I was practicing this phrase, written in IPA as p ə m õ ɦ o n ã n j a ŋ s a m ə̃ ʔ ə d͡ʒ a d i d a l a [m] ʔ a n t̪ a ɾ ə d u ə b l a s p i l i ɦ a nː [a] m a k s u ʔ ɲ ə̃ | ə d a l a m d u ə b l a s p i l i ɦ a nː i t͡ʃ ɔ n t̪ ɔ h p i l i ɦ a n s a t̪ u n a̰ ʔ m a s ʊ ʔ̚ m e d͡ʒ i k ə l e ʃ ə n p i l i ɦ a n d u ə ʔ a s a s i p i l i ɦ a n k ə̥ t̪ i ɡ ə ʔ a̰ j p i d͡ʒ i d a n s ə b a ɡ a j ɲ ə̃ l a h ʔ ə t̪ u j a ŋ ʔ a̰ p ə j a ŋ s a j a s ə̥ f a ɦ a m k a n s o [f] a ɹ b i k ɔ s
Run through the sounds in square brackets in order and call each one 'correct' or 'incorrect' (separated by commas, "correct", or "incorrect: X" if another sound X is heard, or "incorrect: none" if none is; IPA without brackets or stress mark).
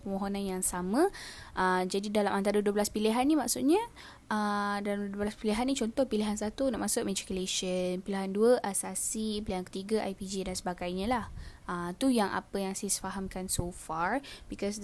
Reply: correct, incorrect: i, correct